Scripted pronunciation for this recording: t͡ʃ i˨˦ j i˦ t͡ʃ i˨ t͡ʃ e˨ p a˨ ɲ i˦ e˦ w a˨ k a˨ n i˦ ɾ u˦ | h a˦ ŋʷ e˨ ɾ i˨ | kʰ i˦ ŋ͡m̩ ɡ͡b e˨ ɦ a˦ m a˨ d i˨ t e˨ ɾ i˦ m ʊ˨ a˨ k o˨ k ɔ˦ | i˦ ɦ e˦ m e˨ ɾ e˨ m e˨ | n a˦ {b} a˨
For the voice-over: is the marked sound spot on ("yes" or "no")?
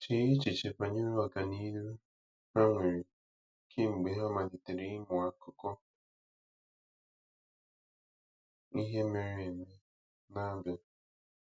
yes